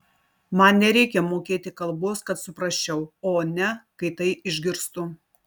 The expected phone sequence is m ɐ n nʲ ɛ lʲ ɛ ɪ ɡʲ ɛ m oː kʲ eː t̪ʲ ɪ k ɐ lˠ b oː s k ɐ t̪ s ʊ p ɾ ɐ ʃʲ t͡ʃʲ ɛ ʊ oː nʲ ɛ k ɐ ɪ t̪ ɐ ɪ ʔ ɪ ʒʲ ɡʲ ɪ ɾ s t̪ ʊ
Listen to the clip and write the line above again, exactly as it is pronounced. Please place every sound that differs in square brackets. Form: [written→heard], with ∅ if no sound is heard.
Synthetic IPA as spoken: m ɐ n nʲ ɛ [lʲ→ɾʲ] ɛ ɪ [ɡʲ→kʲ] ɛ m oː kʲ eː t̪ʲ ɪ k ɐ lˠ b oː s k ɐ t̪ s ʊ p ɾ ɐ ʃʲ t͡ʃʲ ɛ ʊ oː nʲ ɛ k ɐ ɪ t̪ ɐ ɪ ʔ ɪ ʒʲ ɡʲ ɪ ɾ s t̪ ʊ